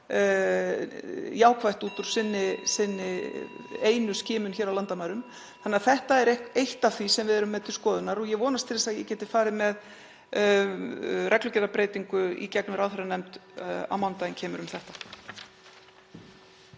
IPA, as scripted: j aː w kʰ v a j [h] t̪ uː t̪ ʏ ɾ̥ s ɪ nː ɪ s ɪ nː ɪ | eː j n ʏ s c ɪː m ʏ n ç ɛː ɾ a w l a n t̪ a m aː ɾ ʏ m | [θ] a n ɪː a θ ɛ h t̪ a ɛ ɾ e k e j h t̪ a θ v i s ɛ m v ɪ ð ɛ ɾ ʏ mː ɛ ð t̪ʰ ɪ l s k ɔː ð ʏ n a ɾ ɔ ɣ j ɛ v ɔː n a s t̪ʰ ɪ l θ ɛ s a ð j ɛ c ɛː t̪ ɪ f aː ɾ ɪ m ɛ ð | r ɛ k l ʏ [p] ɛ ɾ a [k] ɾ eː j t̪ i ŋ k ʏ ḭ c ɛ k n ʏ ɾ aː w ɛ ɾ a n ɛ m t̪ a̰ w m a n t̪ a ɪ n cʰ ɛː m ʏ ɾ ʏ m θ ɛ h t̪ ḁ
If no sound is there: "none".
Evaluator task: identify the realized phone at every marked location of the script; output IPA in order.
h, θ, c, p

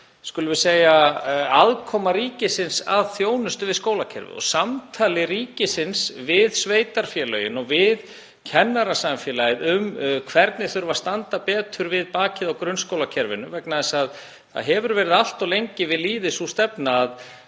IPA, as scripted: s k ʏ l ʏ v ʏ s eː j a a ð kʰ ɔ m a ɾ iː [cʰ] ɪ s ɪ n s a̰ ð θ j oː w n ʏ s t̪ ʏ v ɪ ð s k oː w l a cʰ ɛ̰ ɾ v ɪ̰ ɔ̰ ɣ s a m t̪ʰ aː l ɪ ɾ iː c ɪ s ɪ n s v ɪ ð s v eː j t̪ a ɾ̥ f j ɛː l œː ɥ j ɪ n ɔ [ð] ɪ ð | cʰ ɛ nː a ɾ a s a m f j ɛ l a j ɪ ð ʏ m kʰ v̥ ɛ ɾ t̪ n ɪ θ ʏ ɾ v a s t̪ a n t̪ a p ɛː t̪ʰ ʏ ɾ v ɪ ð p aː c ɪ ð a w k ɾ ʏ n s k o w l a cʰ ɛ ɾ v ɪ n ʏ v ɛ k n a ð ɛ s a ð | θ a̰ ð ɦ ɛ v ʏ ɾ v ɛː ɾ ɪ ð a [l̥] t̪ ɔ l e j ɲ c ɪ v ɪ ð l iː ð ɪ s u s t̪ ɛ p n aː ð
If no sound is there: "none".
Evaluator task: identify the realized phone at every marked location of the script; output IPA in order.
c, v, l̥

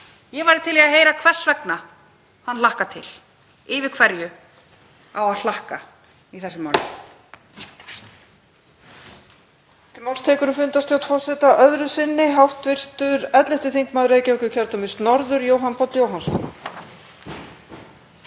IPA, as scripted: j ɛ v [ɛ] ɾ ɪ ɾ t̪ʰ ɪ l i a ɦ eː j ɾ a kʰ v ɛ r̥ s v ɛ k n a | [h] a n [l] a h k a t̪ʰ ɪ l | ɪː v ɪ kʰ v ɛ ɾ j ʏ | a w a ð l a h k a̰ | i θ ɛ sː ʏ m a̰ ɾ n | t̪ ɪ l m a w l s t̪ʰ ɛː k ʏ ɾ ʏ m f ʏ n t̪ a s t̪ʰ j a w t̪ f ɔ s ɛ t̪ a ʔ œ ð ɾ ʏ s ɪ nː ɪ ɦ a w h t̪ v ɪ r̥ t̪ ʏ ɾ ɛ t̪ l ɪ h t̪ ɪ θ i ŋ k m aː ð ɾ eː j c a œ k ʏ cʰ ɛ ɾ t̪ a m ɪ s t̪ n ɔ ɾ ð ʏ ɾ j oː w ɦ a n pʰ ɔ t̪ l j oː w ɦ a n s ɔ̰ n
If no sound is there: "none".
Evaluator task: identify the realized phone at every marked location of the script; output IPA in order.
a, h, l

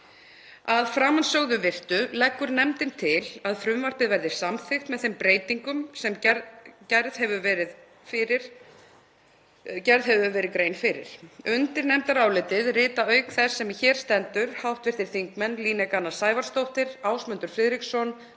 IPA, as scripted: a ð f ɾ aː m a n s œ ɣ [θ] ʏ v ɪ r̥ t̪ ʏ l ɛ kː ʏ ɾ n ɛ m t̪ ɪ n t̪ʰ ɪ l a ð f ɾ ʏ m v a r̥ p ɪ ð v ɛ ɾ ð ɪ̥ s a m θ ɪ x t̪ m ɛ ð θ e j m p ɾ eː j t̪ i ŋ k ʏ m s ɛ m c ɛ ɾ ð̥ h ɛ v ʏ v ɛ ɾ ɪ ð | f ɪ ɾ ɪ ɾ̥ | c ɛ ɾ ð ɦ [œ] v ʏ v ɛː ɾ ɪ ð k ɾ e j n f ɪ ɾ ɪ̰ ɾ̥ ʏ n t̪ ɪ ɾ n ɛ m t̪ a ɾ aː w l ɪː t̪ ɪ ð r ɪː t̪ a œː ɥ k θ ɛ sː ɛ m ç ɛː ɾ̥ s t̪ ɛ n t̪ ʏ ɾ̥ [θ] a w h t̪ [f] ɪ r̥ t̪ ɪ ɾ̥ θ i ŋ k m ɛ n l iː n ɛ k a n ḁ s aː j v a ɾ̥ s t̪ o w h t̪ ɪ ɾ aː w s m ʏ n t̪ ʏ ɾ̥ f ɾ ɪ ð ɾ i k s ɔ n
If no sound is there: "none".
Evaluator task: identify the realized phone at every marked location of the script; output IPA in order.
ð, ɛ, h, v

